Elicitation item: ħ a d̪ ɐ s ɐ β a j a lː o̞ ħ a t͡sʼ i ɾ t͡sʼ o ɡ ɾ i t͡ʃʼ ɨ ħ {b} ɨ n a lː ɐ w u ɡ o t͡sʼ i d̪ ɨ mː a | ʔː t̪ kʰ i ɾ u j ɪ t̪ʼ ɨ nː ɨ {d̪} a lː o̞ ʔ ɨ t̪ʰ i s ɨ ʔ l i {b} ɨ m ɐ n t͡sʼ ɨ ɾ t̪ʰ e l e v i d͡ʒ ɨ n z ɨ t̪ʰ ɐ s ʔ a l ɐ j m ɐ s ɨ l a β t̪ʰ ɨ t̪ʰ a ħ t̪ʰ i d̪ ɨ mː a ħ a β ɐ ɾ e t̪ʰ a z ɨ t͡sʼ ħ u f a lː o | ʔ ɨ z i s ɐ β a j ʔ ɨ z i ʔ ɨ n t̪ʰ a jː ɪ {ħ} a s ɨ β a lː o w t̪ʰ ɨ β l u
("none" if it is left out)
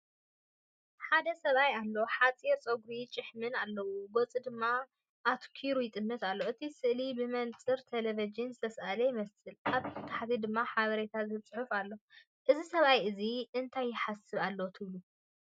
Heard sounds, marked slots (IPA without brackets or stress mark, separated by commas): m, t̪, b, ħ